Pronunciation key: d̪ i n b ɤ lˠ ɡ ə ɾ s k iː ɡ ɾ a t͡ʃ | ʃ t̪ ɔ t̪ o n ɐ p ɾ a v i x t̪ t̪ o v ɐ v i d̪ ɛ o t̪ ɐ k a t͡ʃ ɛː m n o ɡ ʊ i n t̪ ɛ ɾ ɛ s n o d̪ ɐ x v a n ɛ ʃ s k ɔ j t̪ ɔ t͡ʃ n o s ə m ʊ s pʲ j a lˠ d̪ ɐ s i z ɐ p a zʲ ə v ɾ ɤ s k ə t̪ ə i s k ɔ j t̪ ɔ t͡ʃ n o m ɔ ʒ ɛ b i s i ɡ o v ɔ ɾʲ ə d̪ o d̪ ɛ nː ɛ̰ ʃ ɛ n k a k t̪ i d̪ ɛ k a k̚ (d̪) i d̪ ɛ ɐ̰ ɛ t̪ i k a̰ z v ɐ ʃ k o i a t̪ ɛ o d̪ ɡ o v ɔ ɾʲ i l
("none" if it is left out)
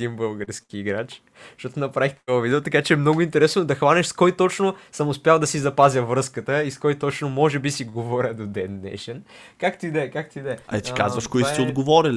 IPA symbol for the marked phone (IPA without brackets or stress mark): t̪